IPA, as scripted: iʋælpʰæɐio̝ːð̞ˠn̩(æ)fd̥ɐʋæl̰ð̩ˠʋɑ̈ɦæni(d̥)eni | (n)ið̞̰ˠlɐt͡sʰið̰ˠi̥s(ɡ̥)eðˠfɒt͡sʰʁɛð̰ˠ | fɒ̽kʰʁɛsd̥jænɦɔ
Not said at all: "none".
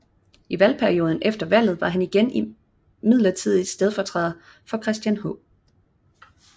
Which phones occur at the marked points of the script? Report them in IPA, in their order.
e, ɡ̥, m, d̥

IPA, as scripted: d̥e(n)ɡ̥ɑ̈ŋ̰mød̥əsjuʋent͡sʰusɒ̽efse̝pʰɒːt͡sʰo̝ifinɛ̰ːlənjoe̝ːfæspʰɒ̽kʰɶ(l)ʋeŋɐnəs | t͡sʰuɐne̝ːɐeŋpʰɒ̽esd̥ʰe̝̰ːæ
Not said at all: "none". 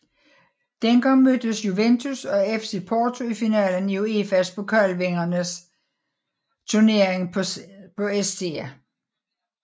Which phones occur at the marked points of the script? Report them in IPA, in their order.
n, l

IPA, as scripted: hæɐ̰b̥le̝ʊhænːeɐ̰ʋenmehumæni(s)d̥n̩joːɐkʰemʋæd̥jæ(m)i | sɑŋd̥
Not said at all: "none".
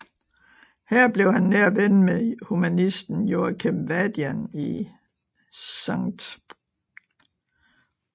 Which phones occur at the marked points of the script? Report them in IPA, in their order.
s, n

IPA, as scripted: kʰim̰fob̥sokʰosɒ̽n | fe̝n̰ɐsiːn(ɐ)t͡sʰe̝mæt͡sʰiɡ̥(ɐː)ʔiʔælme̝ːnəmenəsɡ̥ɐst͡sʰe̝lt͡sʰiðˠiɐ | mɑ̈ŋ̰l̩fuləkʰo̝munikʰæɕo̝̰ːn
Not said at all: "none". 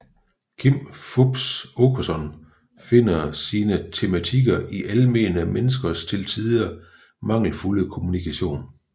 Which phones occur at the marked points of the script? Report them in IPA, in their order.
ə, ɐ

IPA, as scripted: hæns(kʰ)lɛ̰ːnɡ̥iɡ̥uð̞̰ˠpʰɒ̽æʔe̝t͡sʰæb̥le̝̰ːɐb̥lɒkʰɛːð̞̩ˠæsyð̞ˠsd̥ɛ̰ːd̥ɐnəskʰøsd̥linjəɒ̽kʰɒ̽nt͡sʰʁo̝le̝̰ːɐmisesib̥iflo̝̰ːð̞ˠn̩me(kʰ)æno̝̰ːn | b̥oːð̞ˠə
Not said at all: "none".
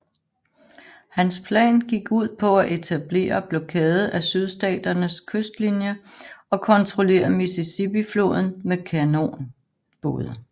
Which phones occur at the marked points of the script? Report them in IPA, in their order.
pʰ, kʰ

